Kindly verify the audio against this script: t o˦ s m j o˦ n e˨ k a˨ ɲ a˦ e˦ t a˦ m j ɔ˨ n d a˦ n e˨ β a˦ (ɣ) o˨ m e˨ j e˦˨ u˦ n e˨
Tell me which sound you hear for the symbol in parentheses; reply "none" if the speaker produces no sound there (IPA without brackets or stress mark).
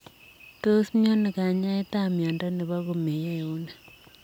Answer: ɣ